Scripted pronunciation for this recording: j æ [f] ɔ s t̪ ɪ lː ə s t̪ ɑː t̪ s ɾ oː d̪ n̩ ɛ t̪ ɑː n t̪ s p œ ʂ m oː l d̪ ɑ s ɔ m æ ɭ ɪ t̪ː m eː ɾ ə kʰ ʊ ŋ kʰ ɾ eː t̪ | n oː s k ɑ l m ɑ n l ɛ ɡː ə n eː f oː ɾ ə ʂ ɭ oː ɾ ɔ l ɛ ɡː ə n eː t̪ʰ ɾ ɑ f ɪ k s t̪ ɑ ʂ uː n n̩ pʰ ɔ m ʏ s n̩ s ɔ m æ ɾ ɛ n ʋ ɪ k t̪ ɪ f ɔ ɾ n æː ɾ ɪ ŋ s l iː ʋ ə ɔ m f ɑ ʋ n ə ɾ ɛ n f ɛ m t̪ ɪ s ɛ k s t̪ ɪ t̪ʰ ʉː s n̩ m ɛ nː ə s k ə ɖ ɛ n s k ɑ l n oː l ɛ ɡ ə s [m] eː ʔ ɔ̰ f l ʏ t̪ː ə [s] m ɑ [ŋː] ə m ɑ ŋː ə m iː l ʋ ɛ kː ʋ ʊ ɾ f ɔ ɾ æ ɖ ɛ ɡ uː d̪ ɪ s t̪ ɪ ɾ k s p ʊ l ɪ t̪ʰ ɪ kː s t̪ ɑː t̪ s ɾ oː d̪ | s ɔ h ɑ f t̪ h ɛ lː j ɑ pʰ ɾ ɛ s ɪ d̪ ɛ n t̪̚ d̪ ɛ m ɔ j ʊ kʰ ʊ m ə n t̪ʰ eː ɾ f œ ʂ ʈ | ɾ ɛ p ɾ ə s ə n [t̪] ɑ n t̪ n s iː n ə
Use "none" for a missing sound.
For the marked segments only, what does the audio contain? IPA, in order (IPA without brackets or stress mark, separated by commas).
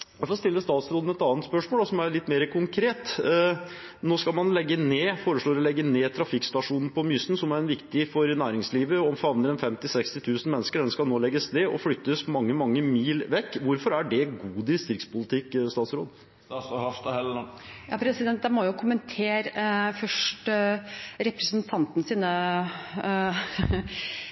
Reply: f, n, s, ŋː, t̪ʰ